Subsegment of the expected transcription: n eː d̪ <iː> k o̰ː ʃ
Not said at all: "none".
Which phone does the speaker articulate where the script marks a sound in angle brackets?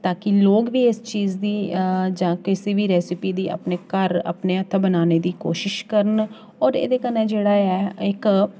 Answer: iː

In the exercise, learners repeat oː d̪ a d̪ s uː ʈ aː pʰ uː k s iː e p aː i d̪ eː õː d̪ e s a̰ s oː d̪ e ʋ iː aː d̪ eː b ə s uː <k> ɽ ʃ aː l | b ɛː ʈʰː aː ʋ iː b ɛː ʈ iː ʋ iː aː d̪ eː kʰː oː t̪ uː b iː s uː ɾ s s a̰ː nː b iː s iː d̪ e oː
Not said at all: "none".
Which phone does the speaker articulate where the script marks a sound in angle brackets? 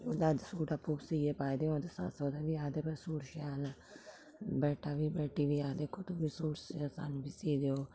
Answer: none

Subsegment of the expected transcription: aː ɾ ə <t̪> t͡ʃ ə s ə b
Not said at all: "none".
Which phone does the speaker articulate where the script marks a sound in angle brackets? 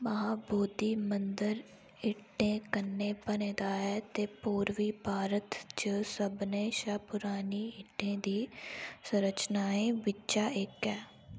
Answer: t̪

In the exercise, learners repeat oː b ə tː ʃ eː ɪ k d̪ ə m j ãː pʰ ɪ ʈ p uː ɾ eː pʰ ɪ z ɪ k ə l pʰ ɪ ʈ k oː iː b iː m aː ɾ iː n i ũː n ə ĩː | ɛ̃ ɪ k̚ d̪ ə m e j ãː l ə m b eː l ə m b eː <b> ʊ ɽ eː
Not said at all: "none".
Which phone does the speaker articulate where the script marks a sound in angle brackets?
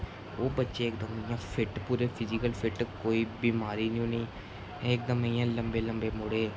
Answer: m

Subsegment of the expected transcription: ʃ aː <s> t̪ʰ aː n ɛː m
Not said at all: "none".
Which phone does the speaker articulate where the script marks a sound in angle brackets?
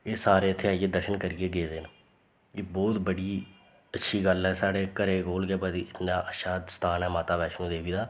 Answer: s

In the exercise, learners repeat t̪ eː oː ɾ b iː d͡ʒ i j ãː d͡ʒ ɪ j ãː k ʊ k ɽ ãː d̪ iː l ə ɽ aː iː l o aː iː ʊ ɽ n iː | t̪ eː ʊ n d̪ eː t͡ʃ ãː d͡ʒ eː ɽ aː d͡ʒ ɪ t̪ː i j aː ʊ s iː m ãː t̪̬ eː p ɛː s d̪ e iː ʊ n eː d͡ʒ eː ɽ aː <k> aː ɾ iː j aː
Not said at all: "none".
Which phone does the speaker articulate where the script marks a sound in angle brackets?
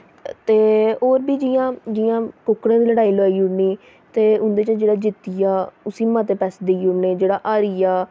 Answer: ʔ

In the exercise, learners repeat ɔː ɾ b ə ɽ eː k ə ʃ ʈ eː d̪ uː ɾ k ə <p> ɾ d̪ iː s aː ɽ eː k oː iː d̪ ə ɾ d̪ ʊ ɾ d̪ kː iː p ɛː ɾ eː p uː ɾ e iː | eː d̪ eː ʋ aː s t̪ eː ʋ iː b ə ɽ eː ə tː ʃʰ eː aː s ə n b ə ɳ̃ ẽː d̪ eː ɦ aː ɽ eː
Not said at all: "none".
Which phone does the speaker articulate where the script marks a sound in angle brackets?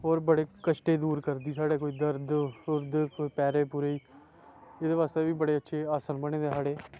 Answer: none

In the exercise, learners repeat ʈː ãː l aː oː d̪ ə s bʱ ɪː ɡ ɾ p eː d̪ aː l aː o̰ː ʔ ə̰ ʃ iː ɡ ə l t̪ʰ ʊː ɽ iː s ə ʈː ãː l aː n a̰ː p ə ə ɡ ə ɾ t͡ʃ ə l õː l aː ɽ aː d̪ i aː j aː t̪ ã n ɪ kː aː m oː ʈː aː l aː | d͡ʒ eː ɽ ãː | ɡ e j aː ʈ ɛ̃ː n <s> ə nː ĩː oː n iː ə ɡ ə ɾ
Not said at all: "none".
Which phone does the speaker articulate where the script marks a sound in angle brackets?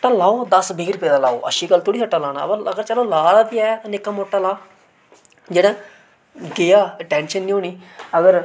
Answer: ʃ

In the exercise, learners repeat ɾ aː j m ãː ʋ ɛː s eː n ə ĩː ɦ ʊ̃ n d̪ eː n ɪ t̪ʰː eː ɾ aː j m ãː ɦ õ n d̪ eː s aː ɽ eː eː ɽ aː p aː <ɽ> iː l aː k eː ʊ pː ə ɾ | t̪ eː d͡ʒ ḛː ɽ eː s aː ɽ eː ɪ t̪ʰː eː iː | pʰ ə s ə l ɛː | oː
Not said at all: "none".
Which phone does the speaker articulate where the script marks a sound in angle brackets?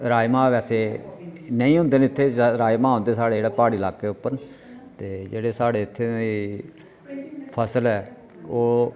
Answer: ɽ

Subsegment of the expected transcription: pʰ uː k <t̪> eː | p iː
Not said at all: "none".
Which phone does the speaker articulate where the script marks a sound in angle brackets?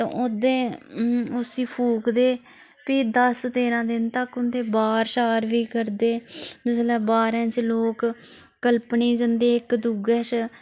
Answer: d̪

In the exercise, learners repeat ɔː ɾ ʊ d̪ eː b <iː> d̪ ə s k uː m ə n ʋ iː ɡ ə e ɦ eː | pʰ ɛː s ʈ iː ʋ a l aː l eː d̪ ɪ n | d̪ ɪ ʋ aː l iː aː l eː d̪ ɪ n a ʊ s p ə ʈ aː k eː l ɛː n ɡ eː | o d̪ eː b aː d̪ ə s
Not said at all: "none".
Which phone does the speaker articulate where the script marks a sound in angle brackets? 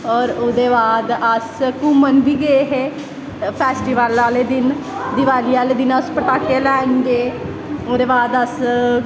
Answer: aː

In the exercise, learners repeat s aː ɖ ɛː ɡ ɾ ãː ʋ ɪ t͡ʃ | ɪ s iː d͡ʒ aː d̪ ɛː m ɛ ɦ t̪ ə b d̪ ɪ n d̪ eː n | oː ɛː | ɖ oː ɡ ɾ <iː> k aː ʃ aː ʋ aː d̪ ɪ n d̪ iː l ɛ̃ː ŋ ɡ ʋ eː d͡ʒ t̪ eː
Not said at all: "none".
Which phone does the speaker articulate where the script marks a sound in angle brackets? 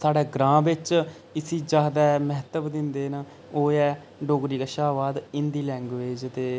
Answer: iː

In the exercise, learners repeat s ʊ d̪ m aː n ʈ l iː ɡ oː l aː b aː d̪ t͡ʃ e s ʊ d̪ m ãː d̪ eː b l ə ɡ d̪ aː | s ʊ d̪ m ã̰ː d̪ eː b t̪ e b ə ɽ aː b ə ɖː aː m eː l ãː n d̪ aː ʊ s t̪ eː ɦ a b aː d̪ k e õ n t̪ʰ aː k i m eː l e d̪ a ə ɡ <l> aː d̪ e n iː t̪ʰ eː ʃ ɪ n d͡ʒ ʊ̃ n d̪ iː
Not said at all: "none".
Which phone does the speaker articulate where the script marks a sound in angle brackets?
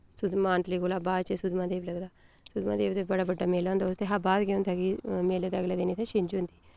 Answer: l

